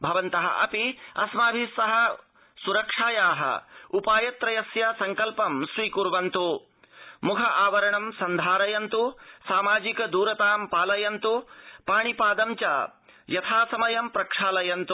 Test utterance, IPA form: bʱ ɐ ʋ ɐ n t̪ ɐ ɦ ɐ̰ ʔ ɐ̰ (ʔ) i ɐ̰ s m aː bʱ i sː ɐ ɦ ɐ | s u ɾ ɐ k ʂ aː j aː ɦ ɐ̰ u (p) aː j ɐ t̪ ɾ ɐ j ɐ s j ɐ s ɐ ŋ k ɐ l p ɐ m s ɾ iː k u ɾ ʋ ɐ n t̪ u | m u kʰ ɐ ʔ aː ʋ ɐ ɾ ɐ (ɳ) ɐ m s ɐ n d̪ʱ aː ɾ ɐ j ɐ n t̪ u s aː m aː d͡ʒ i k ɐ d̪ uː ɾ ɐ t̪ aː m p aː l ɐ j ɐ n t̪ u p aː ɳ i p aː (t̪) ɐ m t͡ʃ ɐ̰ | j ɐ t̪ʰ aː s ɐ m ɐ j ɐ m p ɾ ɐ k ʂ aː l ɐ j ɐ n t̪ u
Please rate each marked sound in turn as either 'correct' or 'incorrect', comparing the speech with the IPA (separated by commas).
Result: incorrect, correct, correct, incorrect